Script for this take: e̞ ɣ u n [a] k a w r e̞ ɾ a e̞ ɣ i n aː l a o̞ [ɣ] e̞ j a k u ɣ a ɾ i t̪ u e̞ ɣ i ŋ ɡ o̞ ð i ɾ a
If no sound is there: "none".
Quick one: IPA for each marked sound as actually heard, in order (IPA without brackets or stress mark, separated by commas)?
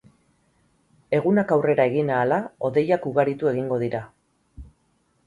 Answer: a, ð